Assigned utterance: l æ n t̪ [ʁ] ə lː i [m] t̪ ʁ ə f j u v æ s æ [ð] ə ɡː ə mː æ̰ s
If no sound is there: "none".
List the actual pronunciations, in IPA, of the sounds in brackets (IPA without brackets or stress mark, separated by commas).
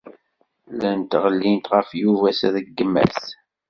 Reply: ʁ, n, ð